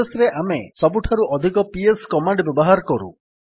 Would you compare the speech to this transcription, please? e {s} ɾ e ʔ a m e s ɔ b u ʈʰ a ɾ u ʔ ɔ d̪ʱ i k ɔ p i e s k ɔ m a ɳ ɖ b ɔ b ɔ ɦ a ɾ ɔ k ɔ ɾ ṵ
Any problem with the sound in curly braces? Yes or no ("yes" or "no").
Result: no